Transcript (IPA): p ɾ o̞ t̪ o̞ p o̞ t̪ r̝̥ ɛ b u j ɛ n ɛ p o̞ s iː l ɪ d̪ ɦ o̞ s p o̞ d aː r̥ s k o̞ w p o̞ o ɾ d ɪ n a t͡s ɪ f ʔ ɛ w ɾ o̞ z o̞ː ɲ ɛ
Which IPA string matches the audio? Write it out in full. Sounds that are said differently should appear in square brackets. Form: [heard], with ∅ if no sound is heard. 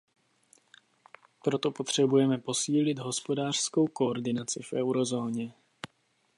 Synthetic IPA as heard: p ɾ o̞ t̪ o̞ p o̞ t̪ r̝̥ ɛ b u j ɛ [m] ɛ p o̞ s iː l ɪ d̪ ɦ o̞ s p o̞ d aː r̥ s k o̞ w [k] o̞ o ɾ d ɪ n a t͡s ɪ f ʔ ɛ w ɾ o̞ z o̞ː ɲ ɛ